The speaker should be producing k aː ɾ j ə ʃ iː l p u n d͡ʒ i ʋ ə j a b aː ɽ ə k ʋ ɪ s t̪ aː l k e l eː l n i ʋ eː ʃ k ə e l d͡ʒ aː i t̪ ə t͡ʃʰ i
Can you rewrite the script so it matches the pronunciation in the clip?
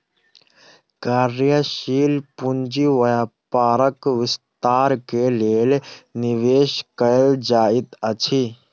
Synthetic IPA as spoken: k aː ɾ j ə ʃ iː l p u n d͡ʒ i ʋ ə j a p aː ɾ ə k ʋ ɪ s t̪ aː ɾ k e l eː l n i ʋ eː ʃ k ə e l d͡ʒ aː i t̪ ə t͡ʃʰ i